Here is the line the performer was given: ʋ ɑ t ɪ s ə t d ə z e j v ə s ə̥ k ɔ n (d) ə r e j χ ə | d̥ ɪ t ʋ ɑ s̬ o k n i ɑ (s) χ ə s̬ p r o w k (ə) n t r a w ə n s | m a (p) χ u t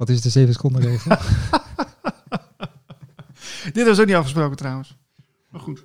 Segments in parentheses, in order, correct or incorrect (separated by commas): correct, incorrect, correct, incorrect